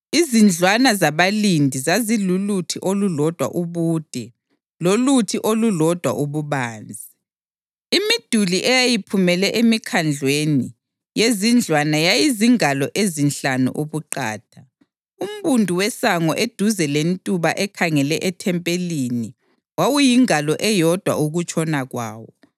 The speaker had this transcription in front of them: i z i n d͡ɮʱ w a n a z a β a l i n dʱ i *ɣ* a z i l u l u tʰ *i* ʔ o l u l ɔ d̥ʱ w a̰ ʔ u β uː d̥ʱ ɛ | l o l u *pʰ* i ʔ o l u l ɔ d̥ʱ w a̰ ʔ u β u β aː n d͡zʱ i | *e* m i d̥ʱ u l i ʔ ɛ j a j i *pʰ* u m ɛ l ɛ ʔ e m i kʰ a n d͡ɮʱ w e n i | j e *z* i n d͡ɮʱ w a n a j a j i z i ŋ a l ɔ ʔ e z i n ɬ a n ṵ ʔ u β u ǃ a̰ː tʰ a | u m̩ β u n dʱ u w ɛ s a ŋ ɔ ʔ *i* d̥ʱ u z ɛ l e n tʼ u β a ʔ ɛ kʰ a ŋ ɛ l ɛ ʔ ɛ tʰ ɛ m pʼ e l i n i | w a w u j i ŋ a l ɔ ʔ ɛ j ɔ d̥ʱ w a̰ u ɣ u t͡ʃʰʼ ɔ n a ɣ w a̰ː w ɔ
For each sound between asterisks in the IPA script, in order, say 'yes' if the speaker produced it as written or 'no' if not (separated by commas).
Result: no, yes, no, no, yes, yes, no